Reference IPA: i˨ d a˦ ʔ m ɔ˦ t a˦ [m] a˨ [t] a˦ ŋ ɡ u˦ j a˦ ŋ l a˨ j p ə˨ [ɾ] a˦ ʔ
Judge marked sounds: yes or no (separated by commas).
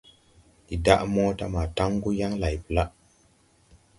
yes, yes, no